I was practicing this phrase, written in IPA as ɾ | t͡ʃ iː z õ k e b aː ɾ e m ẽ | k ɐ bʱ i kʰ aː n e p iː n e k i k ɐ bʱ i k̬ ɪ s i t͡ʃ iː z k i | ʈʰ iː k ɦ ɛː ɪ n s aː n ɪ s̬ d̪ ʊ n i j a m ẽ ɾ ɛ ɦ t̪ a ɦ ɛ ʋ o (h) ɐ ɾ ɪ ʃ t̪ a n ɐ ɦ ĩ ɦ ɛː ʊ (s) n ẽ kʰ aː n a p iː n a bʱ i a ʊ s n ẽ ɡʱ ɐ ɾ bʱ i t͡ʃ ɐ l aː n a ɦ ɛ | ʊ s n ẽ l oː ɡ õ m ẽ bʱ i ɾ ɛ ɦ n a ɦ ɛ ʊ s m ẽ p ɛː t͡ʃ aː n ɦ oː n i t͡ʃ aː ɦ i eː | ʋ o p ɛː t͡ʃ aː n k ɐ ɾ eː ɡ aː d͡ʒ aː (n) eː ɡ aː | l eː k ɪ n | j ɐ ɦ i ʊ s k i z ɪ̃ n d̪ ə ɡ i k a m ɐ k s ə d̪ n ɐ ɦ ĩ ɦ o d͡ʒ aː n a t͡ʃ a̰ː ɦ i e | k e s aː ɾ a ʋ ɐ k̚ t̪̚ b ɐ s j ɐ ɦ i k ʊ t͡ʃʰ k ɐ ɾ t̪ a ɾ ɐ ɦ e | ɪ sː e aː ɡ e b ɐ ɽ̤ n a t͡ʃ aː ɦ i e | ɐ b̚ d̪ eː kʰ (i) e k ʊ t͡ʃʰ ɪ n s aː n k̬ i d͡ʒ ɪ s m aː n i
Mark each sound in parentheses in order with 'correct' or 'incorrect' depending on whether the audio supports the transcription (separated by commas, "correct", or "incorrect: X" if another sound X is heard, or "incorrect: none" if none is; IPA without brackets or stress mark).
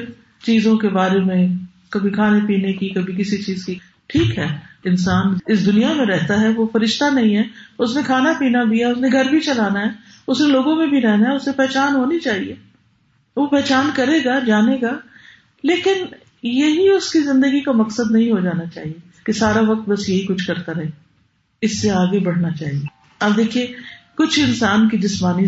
incorrect: f, correct, correct, correct